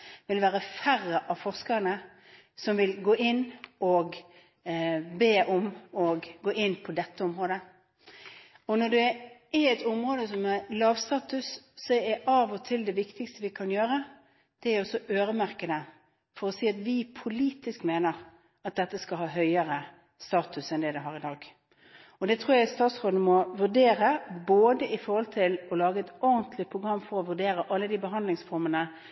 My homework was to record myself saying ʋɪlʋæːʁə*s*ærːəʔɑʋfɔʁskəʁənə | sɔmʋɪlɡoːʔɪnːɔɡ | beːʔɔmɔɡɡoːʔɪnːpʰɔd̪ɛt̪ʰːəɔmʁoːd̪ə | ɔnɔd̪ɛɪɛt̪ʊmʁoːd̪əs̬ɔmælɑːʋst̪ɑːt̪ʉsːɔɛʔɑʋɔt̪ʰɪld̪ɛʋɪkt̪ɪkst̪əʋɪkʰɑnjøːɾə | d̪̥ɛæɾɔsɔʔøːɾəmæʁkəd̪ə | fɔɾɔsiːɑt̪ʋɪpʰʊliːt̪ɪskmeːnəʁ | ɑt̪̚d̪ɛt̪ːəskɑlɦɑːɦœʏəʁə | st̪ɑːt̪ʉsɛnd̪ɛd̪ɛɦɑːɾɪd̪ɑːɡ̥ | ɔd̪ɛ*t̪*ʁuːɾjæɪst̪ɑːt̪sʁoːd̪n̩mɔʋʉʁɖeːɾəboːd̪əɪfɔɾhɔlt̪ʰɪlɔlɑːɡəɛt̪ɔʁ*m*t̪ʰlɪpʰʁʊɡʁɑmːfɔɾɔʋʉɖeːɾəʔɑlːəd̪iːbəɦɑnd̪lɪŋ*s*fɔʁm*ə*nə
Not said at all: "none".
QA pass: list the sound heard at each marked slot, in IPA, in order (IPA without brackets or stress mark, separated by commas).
f, t̪ʰ, n, s, ə